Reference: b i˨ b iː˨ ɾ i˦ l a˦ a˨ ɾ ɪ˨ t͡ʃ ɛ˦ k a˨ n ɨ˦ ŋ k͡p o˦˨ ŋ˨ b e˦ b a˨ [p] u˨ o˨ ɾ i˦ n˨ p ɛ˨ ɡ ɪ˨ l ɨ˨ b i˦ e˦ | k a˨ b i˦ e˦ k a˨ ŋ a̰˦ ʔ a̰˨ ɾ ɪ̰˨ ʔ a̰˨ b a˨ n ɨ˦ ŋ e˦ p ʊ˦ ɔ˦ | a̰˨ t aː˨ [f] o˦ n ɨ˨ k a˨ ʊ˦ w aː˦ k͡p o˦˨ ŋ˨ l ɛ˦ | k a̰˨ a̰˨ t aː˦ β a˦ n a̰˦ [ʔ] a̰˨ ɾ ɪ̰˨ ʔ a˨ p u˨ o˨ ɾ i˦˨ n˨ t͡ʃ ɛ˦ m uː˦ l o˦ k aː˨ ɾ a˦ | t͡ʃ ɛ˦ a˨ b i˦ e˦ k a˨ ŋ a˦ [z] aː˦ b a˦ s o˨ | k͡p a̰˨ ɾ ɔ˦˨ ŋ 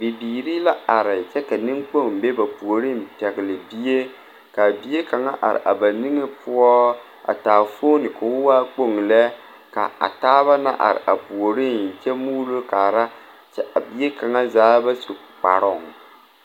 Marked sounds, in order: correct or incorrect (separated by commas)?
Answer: correct, correct, correct, correct